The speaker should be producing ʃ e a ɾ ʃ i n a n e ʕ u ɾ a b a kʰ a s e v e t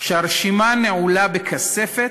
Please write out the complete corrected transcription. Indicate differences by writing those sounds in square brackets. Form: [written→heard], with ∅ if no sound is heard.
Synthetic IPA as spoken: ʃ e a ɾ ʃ i [n→m] a n e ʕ u [ɾ→l] a b [a→e] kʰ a s e [v→f] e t